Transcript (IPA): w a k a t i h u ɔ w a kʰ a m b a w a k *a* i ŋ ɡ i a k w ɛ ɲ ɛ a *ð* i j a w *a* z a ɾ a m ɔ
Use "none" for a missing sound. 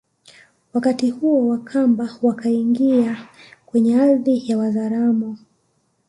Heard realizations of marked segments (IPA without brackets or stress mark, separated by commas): a, ð, a